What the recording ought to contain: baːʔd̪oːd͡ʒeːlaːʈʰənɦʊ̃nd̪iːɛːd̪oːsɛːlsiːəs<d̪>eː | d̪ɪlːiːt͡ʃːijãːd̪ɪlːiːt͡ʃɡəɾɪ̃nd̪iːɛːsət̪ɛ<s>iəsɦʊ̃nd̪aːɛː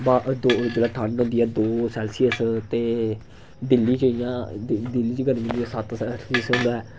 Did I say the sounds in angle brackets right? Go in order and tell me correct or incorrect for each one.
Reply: incorrect: t̪, correct

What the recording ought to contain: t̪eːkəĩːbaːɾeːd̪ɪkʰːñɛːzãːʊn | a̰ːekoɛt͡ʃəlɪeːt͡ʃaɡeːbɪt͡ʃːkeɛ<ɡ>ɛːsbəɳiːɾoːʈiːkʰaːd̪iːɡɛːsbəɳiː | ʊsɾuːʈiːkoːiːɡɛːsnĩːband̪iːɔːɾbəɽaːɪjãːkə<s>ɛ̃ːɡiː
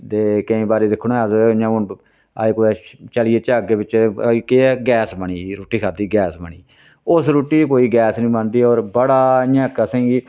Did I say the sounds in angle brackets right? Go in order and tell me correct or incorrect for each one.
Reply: correct, correct

